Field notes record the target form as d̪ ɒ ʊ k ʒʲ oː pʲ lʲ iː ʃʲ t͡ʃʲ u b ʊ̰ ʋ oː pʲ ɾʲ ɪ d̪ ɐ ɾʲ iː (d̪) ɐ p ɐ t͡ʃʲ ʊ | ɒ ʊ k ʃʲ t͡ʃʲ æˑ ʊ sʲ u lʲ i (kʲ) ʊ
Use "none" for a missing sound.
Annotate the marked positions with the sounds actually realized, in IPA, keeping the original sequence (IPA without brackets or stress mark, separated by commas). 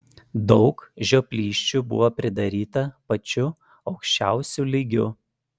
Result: t̪, ɡʲ